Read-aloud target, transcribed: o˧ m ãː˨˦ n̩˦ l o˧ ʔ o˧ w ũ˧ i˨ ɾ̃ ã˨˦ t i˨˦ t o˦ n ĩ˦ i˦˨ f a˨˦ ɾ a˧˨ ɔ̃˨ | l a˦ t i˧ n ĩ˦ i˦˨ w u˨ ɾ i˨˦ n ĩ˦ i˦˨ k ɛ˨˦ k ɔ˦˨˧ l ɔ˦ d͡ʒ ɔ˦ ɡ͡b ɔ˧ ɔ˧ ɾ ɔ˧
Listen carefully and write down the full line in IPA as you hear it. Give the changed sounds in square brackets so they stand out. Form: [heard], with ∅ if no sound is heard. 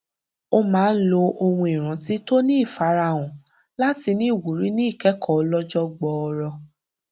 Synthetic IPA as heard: o˧ m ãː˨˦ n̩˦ l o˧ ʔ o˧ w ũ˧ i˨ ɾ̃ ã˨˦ t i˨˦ t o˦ n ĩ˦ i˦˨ f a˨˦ ɾ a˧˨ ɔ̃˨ | l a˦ t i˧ n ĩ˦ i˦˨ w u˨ ɾ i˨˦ n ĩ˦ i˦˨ k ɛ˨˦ k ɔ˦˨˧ l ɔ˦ d͡ʒ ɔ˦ ɡ͡b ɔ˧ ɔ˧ ɾ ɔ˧